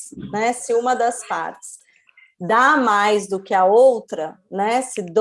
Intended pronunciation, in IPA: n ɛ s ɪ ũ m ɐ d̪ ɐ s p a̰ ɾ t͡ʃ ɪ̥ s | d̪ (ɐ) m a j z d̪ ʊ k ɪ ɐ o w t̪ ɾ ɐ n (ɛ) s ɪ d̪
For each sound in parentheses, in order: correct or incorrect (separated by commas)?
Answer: incorrect, correct